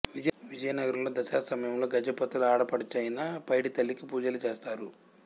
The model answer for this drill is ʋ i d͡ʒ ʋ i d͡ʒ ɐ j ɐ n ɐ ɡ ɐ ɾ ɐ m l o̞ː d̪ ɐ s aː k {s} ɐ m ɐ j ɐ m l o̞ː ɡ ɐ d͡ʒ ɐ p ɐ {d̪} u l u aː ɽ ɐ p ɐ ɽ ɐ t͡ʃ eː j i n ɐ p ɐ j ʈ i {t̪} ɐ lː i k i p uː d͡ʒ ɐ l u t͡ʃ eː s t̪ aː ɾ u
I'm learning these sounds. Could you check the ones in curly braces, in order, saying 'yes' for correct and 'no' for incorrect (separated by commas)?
yes, no, yes